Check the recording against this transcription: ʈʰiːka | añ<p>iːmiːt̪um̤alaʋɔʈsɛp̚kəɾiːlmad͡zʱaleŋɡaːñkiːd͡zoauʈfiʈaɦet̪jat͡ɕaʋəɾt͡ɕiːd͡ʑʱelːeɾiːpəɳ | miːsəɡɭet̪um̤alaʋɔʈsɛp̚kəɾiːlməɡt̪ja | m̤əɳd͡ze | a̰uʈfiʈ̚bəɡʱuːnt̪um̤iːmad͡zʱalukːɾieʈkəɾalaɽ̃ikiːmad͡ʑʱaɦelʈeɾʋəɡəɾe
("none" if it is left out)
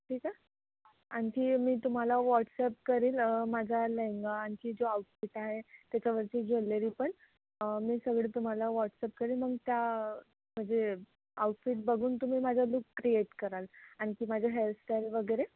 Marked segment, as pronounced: k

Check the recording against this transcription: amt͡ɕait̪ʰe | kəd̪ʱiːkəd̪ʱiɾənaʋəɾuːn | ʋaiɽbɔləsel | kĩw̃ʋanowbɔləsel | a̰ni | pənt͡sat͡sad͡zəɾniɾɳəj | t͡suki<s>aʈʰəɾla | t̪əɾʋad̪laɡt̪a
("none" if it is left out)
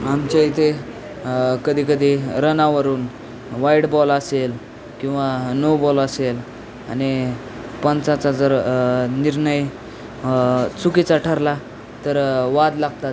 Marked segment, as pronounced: t͡s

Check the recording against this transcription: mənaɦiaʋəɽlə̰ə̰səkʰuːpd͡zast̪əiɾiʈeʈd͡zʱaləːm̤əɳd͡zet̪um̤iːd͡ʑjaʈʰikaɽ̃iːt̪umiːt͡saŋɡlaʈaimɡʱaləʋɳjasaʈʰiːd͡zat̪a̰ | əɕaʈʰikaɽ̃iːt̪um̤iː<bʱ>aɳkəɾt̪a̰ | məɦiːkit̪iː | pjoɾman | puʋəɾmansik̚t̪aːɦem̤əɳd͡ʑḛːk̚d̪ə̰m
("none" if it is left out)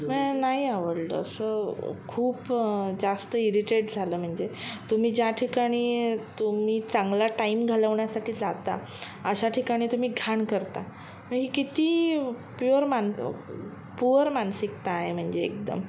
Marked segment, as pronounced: ɡʱ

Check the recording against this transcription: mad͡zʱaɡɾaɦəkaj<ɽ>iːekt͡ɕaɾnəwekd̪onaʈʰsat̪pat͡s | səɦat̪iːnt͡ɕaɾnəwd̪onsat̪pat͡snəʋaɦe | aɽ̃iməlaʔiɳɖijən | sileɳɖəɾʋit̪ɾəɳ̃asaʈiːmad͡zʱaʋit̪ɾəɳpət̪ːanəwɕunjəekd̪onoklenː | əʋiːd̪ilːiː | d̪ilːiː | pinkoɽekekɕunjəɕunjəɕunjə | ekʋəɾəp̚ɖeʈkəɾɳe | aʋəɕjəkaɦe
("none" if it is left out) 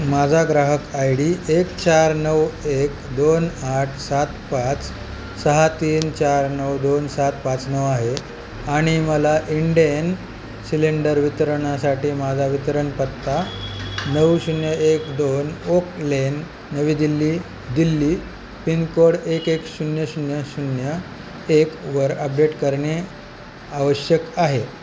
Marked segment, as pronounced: ɽ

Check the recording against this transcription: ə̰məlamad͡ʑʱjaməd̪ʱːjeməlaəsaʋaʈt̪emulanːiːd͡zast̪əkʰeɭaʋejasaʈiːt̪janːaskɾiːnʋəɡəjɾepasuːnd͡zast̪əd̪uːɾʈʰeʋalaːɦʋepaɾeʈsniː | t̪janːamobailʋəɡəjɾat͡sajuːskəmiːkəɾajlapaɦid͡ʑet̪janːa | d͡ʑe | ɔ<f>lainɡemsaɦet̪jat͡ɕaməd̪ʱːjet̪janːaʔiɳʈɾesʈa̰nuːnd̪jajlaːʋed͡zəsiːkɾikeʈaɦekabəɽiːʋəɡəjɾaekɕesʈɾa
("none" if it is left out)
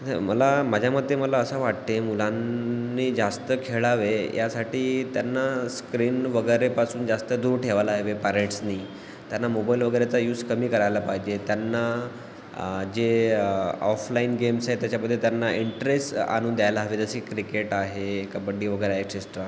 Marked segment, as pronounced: f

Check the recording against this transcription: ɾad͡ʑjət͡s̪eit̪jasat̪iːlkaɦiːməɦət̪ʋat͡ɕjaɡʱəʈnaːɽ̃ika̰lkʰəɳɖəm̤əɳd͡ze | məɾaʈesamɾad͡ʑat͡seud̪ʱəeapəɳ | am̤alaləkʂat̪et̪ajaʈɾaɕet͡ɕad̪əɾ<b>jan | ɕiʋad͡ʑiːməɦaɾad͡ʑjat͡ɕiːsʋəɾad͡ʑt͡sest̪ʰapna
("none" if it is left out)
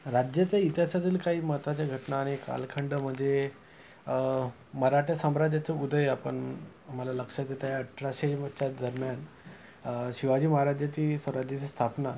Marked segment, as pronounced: m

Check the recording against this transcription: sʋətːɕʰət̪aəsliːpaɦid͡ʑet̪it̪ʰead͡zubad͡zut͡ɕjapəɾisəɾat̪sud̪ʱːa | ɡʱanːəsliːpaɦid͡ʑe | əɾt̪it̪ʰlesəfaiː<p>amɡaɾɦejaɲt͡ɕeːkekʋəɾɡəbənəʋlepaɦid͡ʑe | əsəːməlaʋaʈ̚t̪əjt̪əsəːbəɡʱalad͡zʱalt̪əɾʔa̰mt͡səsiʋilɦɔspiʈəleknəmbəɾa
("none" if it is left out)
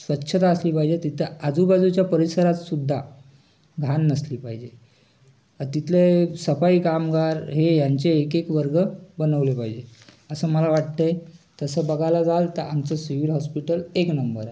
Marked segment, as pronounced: k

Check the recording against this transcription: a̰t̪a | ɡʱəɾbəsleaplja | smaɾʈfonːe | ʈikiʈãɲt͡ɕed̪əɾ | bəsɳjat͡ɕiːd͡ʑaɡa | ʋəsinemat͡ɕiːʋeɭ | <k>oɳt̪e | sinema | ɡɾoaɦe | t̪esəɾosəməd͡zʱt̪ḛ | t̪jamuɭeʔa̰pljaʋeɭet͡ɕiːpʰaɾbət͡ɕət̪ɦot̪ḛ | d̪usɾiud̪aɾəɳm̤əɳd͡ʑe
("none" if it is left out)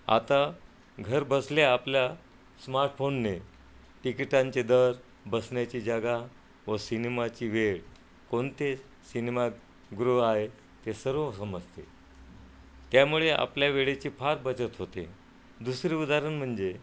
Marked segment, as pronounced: k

